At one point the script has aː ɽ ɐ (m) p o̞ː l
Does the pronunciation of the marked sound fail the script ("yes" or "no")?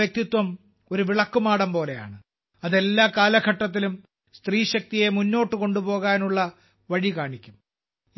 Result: no